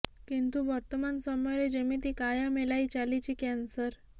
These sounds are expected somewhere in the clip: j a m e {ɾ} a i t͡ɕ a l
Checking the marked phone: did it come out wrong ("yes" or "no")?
yes